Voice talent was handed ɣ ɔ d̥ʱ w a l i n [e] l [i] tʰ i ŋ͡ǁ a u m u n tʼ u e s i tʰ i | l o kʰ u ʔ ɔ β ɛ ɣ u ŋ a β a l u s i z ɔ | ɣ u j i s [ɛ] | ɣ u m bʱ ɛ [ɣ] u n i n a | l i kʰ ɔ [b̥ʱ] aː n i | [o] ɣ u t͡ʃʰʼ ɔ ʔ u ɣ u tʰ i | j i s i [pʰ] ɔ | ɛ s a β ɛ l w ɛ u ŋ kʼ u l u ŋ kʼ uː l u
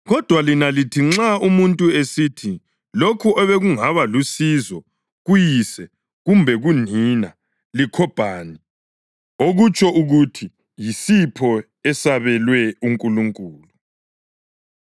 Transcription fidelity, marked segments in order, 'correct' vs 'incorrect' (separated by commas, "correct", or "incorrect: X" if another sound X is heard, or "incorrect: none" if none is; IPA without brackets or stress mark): incorrect: a, correct, correct, correct, correct, correct, correct